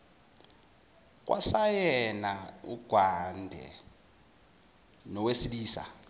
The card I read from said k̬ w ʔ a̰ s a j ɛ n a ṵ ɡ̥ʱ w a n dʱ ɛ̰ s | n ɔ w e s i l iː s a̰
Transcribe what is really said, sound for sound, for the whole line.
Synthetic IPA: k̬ w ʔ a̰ s a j ɛ n a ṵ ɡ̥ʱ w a n dʱ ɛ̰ | n ɔ w e s i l iː s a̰